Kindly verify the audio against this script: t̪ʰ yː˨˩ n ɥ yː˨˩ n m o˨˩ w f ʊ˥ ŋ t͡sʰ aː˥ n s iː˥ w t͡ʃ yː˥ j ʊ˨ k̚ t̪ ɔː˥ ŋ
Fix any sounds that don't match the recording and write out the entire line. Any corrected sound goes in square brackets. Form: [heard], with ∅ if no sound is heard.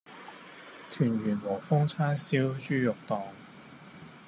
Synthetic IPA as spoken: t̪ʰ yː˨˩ n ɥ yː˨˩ n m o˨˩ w f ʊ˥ ŋ t͡sʰ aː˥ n s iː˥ w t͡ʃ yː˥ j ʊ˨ k̚ t̪ [ɔː˨] ŋ